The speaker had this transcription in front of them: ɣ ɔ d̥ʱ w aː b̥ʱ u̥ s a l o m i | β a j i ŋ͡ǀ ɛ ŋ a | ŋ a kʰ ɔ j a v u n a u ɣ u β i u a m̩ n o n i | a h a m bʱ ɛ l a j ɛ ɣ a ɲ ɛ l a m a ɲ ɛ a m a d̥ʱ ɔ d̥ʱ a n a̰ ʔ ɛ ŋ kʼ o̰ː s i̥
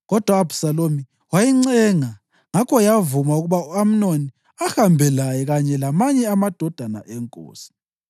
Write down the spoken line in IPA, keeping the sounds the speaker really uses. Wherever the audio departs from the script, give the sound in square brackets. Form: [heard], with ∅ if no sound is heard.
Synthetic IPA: ɣ ɔ d̥ʱ w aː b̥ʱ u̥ s a l o m i | [w] a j i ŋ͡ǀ ɛ ŋ a | ŋ a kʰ ɔ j a v u [m] a u ɣ u β [a] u a m̩ n o n i | a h a m bʱ ɛ l a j ɛ ɣ a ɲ ɛ l a m a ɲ ɛ a m a d̥ʱ ɔ d̥ʱ a n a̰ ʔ ɛ ŋ kʼ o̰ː s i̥